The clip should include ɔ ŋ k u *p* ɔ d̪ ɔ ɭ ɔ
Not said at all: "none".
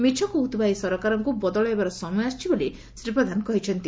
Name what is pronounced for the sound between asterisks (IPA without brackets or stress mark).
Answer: b